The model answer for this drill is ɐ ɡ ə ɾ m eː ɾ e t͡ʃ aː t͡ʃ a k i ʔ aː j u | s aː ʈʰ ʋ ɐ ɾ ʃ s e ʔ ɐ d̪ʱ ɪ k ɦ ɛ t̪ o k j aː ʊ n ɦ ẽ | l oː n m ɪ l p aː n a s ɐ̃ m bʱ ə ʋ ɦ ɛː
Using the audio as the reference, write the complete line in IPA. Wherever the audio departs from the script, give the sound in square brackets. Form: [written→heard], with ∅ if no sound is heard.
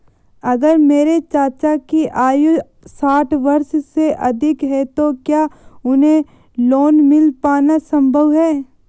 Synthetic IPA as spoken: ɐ ɡ ə ɾ m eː ɾ e t͡ʃ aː t͡ʃ a k i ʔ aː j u | s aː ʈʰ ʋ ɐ ɾ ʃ s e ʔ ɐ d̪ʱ ɪ k ɦ ɛ t̪ o k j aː ʊ n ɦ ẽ | l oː n m ɪ l p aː n a s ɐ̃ m bʱ ə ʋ ɦ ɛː